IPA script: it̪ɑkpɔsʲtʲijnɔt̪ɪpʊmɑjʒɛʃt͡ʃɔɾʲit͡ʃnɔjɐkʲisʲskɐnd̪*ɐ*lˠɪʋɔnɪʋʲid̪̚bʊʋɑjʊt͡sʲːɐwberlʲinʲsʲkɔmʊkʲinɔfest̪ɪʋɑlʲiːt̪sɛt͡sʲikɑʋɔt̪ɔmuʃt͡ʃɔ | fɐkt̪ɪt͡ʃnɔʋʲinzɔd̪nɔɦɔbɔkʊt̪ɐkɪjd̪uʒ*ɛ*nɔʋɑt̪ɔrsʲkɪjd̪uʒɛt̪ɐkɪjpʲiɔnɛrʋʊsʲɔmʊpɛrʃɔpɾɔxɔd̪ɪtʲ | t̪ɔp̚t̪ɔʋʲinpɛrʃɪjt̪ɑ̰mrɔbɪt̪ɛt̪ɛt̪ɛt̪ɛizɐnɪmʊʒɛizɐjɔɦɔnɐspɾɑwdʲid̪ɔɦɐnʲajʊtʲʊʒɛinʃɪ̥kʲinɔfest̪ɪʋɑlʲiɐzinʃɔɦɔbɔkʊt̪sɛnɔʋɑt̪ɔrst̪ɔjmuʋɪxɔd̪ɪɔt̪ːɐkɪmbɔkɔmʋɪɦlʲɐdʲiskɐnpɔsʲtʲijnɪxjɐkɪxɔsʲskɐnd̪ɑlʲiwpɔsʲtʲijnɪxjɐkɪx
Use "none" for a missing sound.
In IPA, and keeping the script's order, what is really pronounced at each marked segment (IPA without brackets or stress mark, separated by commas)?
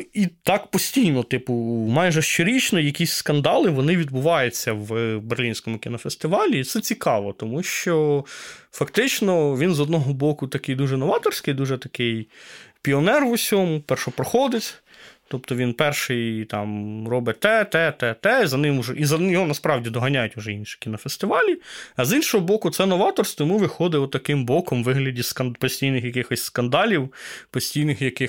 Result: ɑ, ɛ